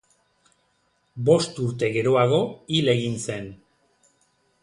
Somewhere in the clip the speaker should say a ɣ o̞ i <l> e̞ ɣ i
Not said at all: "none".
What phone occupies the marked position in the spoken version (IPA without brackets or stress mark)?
l